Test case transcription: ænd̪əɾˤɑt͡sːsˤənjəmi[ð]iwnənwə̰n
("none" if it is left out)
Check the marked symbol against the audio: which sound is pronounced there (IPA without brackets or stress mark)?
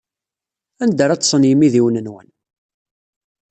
ð